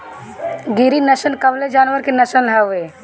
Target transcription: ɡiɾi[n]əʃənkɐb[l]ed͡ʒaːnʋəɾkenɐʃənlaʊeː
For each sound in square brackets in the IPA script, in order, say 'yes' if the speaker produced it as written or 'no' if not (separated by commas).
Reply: yes, yes